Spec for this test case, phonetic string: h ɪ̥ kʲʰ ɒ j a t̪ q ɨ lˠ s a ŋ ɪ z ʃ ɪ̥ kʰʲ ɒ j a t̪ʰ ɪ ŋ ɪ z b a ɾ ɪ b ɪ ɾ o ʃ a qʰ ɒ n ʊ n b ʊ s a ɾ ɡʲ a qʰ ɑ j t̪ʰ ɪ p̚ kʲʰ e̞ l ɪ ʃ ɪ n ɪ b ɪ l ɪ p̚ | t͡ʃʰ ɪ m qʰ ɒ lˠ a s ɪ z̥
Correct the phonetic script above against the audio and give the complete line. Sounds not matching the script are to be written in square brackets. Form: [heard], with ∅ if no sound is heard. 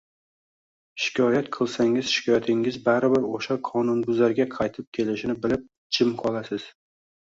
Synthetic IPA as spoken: [ʃ] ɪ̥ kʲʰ ɒ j a t̪ [qʰ] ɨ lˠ s a ŋ ɪ z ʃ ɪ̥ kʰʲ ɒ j a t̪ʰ ɪ ŋ ɪ z b a ɾ ɪ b ɪ ɾ o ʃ a qʰ ɒ n ʊ n b ʊ [z] a ɾ ɡʲ a qʰ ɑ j t̪ʰ ɪ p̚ kʲʰ e̞ l ɪ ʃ ɪ n ɪ b ɪ l ɪ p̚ | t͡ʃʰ ɪ m qʰ ɒ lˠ a s ɪ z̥